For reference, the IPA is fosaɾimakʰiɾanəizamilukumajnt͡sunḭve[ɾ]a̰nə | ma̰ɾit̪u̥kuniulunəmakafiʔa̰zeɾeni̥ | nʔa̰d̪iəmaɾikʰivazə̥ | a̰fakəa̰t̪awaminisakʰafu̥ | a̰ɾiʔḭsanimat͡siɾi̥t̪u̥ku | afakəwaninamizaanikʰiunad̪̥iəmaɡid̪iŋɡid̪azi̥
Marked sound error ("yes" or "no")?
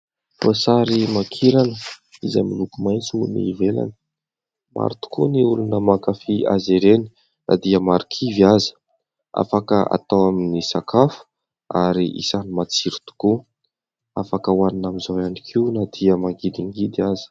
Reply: yes